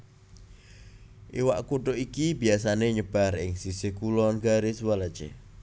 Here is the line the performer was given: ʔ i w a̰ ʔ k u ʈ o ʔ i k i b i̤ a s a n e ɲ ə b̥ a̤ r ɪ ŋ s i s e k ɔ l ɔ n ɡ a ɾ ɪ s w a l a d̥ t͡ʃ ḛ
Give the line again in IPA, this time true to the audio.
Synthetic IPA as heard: ʔ i w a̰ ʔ k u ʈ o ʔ i k i b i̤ a s a n e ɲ ə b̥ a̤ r ɪ ŋ s i s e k u l ɔ n ɡ a ɾ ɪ s w a l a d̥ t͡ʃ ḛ